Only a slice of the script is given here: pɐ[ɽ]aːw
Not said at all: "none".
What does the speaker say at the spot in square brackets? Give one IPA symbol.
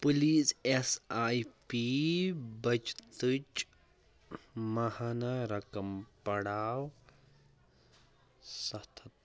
ɽ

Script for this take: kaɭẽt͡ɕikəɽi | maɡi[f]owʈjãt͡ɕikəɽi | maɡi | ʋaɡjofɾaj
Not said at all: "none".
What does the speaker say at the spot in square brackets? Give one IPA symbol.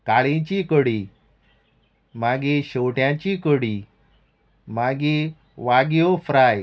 ɕ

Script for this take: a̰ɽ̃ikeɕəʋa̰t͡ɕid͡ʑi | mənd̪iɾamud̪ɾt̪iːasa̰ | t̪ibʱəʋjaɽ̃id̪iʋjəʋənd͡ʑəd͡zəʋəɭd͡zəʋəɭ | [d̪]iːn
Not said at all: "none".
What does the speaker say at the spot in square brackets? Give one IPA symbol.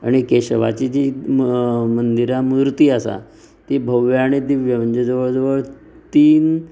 t̪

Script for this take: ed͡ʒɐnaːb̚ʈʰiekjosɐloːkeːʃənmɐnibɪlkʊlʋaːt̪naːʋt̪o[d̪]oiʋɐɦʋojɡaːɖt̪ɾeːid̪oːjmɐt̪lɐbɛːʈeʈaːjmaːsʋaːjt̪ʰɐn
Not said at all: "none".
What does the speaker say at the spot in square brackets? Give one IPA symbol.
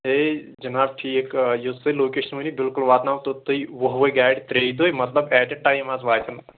t̪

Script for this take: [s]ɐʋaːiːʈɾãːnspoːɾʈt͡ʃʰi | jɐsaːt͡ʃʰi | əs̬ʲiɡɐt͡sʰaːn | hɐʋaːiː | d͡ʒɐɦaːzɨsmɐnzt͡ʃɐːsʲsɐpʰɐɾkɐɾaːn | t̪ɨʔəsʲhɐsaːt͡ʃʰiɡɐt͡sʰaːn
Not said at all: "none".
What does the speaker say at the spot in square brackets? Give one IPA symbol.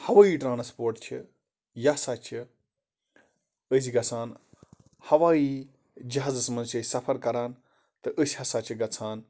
h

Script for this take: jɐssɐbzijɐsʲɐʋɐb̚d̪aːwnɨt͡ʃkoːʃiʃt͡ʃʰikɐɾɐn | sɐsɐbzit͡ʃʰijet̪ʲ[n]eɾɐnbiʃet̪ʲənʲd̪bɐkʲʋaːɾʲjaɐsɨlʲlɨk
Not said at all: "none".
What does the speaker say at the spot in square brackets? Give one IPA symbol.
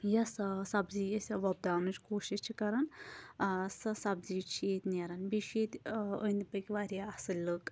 n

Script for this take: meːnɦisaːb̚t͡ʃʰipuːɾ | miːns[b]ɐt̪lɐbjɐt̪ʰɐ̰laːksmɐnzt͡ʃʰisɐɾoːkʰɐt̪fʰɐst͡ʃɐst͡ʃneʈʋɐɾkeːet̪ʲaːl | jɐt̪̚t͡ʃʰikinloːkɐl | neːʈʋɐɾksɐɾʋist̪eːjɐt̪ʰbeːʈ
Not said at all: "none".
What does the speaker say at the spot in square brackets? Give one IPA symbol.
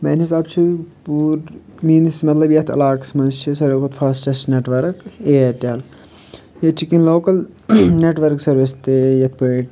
m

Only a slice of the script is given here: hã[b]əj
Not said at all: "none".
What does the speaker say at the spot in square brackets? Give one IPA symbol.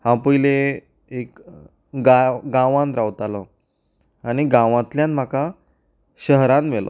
p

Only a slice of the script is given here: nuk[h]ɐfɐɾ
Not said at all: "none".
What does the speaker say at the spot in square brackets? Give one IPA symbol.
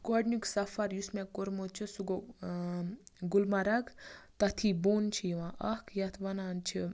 s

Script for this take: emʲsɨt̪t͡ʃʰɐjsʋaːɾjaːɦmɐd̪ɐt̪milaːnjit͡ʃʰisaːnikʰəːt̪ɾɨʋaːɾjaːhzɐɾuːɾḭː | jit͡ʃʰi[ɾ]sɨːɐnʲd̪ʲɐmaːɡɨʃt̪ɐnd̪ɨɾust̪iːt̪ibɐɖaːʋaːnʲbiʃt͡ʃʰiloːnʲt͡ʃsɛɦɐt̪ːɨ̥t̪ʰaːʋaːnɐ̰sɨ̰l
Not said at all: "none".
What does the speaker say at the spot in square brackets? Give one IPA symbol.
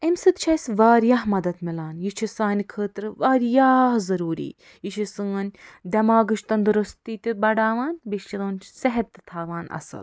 none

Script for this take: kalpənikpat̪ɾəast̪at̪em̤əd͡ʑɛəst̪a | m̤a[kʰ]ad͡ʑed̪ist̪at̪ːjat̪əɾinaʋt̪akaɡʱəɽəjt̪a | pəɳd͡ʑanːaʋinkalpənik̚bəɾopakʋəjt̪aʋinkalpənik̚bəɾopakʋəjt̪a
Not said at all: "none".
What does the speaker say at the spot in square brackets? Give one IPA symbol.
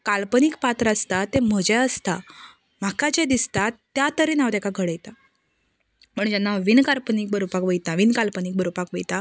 k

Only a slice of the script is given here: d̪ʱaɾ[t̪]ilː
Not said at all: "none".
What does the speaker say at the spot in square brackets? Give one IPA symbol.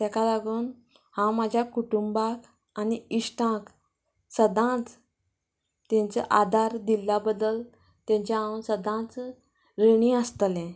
d̪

